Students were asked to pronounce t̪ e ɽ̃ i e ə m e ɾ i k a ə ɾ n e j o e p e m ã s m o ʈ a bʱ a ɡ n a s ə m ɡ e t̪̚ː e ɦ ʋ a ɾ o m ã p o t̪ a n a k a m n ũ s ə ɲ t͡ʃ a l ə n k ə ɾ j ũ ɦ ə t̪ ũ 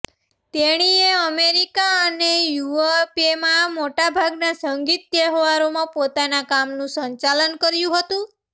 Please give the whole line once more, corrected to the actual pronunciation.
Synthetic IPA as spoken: t̪ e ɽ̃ i e ə m e ɾ i k a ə n e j u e p e m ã m o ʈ a bʱ a ɡ n a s ə ŋ ɡ i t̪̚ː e ɦ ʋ a ɾ o m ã p o t̪ a n a k a m n ũ s ə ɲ t͡ʃ a l ə n k ə ɾ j ũ ɦ ə t̪ ũ